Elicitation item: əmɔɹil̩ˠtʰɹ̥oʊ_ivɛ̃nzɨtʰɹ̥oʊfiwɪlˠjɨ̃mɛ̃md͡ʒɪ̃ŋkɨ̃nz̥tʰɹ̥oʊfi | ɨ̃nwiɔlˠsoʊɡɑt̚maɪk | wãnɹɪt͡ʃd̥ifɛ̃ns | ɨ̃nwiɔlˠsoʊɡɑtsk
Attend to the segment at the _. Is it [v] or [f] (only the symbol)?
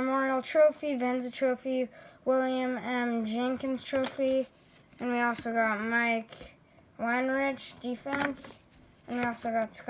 f